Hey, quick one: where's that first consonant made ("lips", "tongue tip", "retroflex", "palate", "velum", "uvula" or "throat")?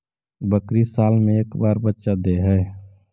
lips